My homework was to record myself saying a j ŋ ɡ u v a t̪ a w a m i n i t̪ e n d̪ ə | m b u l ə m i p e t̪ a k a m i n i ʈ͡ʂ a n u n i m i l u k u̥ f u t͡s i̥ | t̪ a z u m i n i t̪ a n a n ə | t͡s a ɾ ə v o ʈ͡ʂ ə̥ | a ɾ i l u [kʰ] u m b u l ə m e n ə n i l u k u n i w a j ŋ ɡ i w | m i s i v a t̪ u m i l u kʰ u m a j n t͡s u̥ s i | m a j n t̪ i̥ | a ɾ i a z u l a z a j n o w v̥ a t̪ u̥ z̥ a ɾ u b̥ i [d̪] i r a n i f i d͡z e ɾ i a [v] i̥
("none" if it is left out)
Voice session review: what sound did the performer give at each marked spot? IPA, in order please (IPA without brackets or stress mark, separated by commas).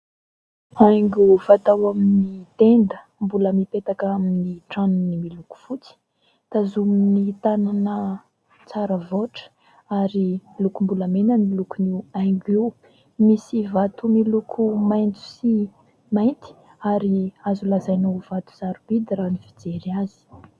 k, d̪, z